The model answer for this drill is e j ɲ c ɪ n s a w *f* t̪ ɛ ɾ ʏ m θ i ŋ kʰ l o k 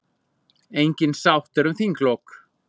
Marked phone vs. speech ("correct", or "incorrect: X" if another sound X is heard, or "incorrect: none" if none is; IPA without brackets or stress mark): incorrect: h